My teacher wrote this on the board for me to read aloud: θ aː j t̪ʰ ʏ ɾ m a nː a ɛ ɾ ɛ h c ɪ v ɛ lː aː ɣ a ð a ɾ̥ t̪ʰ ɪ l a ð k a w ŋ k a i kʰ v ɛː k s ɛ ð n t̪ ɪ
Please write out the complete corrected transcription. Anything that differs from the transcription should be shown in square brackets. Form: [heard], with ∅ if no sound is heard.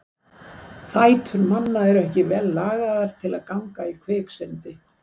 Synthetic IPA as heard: θ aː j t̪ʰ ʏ ɾ m a nː a ɛ ɾ ɛ h c ɪ v ɛ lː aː ɣ a ð a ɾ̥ t̪ʰ ɪ l a ð k a w ŋ k a i kʰ v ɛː k s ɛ [∅] n t̪ ɪ